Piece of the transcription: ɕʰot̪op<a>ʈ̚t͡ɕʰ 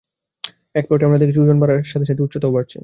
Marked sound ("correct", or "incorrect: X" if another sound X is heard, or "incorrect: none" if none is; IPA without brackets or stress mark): correct